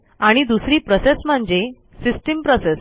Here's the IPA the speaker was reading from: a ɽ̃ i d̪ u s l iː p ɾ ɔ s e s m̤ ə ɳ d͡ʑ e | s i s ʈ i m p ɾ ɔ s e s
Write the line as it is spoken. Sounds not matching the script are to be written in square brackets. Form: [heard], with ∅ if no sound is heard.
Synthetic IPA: a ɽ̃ i d̪ u s [ɾ] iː p ɾ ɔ s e s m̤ ə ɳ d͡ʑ e | s i s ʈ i m p ɾ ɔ s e s